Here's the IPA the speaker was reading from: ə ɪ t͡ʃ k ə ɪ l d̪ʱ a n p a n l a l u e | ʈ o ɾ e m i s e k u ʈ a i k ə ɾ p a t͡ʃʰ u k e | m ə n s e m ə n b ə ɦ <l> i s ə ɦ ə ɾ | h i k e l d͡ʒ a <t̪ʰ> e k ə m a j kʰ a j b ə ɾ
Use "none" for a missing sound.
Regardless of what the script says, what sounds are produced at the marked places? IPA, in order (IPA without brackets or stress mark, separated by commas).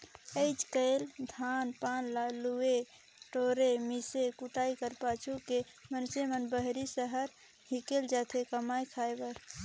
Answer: ɾ, t̪ʰ